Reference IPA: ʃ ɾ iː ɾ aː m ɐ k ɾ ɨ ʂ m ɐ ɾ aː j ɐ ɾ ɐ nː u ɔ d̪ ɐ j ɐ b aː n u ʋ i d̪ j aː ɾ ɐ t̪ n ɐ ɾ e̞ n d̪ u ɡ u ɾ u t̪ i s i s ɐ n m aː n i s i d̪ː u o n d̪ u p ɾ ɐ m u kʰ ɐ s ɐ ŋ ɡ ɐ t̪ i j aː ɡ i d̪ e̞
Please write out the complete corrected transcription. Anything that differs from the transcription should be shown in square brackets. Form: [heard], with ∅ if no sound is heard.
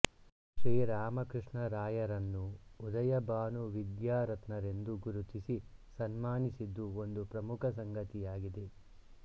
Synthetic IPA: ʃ ɾ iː ɾ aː m ɐ k ɾ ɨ ʂ [ɳ] ɐ ɾ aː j ɐ ɾ ɐ nː u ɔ d̪ ɐ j ɐ b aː n u ʋ i d̪ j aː ɾ ɐ t̪ n ɐ ɾ e̞ n d̪ u ɡ u ɾ u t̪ i s i s ɐ n m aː n i s i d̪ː u o n d̪ u p ɾ ɐ m u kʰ ɐ s ɐ ŋ ɡ ɐ t̪ i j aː ɡ i d̪ e̞

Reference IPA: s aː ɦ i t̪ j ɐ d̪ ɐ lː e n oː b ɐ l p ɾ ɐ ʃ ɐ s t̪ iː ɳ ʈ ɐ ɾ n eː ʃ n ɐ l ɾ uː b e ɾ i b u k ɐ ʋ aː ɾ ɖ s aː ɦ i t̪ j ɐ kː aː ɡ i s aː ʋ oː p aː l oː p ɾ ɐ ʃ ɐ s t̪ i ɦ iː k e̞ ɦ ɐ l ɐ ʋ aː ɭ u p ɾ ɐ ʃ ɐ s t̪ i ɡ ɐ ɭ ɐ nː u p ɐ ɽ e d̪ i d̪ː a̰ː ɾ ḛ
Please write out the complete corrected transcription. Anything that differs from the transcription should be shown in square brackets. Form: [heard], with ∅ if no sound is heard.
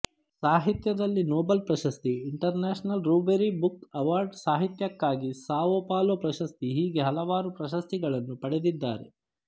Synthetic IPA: s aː ɦ i t̪ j ɐ d̪ ɐ lː [i] n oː b ɐ l p ɾ ɐ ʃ ɐ s t̪ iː ɳ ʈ ɐ ɾ n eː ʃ n ɐ l ɾ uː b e ɾ i b u k ɐ ʋ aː ɾ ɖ s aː ɦ i t̪ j ɐ kː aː ɡ i s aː ʋ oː p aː l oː p ɾ ɐ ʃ ɐ s t̪ i ɦ iː [ɡ] e̞ ɦ ɐ l ɐ ʋ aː [ɾ] u p ɾ ɐ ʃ ɐ s t̪ i ɡ ɐ ɭ ɐ nː u p ɐ ɽ e d̪ i d̪ː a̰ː ɾ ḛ

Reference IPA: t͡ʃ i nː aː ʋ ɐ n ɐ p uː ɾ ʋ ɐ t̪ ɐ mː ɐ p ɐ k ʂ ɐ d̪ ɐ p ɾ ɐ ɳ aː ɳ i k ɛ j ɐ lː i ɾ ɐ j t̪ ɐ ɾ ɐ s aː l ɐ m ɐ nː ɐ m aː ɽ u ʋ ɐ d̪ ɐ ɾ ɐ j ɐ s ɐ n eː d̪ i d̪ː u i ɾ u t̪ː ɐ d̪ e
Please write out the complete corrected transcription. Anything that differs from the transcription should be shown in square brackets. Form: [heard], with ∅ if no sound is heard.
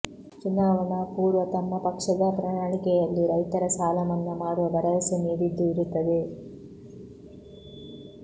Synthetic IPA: t͡ʃ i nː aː ʋ ɐ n ɐ p uː ɾ ʋ ɐ t̪ ɐ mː ɐ p ɐ k ʂ ɐ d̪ ɐ p ɾ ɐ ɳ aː ɳ i k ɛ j ɐ lː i ɾ ɐ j t̪ ɐ ɾ ɐ s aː l ɐ m ɐ nː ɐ m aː ɽ u ʋ ɐ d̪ ɐ ɾ ɐ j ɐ s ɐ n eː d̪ i d̪ː u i ɾ u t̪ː ɐ d̪ e

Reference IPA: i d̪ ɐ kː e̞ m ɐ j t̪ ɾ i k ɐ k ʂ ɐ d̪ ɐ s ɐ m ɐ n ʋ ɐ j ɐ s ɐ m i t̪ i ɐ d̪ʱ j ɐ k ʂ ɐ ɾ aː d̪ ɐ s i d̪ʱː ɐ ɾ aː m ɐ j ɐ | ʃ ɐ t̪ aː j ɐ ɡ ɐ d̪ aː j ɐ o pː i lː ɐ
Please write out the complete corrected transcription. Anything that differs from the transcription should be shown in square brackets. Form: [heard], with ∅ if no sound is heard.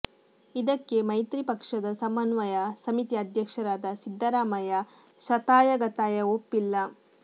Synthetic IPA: i d̪ ɐ kː e̞ m ɐ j t̪ ɾ i [p] ɐ k ʂ ɐ d̪ ɐ s ɐ m ɐ n ʋ ɐ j ɐ s ɐ m i t̪ i ɐ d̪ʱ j ɐ k ʂ ɐ ɾ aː d̪ ɐ s i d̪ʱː ɐ ɾ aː m ɐ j ɐ | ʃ ɐ t̪ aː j ɐ ɡ ɐ [t̪] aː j ɐ o pː i lː ɐ

